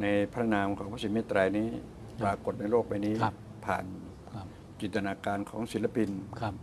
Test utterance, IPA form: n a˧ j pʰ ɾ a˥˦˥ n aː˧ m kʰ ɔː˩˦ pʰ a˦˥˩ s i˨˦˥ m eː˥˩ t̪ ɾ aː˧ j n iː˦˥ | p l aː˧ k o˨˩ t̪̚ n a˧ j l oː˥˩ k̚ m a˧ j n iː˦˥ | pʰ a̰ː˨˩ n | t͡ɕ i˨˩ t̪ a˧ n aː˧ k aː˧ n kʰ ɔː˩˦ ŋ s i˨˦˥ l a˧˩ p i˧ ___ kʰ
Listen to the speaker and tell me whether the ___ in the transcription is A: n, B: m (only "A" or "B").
A